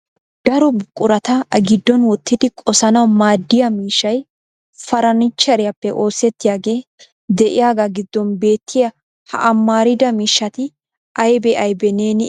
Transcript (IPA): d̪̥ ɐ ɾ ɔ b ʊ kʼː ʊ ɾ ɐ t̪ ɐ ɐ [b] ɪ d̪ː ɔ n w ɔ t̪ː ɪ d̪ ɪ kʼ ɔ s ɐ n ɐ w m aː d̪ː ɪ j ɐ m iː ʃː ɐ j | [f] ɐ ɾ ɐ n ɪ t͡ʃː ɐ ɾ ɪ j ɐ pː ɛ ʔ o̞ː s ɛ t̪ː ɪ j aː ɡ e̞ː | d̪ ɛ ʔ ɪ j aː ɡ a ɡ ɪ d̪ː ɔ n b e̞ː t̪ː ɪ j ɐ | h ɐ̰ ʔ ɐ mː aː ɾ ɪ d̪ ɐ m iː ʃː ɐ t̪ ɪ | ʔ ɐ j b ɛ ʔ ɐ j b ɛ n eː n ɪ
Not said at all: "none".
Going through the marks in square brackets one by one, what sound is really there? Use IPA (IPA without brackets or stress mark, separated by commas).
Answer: ɡ, f